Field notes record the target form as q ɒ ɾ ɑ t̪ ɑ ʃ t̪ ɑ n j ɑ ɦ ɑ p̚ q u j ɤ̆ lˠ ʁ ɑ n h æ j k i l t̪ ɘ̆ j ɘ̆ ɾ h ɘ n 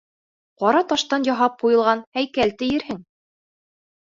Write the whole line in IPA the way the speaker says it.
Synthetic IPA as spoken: q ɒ ɾ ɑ t̪ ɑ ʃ t̪ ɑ n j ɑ ɦ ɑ p̚ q u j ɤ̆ lˠ ʁ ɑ n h æ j k æ l t̪ ɘ̆ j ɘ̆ ɾ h ɘ ŋ